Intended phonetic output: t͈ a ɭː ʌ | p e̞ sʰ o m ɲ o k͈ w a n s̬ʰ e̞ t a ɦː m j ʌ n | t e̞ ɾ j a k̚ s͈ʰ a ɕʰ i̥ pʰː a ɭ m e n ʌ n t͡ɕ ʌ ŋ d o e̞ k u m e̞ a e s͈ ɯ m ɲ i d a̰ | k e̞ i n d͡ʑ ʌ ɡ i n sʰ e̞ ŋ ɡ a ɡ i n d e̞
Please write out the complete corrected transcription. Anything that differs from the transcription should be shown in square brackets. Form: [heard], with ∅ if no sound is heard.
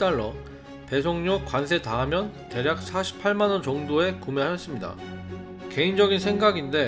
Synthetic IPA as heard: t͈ a ɭː ʌ | p e̞ sʰ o [ŋ] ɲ o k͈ w a n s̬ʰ e̞ t a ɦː m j ʌ n | t e̞ ɾ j a k̚ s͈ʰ a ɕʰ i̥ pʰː a ɭ m [a] n ʌ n t͡ɕ ʌ ŋ d o e̞ k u m e̞ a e s͈ ɯ m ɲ i d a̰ | k e̞ i n d͡ʑ ʌ ɡ i n sʰ e̞ ŋ ɡ a ɡ i n d e̞